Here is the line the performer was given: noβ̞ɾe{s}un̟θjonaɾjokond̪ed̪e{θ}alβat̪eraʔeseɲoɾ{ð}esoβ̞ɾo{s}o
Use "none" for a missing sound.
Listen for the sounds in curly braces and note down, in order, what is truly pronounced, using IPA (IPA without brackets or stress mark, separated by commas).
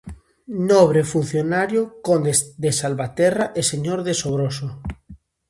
f, s, ð, s